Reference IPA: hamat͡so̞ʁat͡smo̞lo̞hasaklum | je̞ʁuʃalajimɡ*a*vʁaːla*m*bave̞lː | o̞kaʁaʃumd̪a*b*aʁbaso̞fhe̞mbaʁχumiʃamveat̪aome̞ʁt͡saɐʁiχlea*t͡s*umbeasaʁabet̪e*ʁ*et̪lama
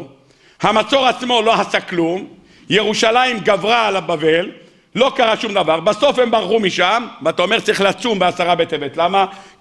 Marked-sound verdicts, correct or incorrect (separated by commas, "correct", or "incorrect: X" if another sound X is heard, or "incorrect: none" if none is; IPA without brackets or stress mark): correct, incorrect: none, incorrect: v, correct, incorrect: v